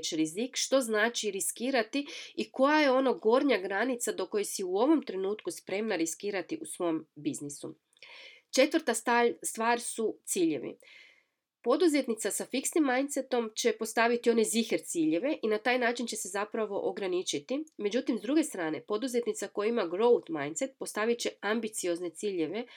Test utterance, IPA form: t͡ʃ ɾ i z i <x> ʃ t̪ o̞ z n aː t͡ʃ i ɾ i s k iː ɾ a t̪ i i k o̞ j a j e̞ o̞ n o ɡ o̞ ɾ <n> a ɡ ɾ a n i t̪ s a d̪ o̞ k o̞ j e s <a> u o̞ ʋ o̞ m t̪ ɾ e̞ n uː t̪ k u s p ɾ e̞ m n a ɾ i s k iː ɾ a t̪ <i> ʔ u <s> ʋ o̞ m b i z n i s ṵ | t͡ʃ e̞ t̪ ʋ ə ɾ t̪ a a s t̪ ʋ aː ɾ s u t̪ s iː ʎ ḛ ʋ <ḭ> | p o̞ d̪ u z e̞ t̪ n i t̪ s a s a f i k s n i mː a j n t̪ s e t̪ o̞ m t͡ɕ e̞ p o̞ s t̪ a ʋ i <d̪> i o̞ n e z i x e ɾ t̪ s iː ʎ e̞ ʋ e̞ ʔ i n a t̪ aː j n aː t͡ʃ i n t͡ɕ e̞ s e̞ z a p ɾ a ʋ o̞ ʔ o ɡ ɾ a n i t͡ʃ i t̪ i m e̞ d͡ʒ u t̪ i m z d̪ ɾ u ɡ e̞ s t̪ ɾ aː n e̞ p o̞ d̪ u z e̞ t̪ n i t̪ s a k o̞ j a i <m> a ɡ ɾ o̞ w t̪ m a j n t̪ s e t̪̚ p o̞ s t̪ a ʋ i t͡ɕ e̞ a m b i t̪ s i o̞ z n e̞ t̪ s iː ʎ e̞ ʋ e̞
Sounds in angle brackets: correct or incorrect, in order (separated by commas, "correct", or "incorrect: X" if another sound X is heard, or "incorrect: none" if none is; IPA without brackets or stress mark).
incorrect: k, incorrect: ɲ, incorrect: i, correct, correct, correct, incorrect: t̪, correct